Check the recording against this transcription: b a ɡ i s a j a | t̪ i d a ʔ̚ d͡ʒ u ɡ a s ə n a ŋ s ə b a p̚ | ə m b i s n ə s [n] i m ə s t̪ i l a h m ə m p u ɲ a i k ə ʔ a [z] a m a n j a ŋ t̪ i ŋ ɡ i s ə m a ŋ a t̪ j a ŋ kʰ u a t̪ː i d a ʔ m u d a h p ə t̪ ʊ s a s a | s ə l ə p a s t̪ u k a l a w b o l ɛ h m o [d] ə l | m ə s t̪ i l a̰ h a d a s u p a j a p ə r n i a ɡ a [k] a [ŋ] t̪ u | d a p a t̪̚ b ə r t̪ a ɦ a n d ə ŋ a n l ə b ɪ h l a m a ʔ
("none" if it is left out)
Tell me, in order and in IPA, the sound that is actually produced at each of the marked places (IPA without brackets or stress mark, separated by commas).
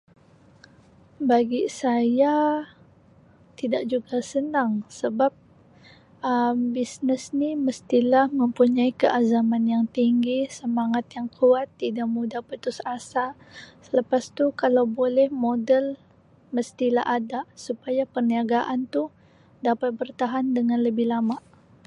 n, z, d, ʔ, n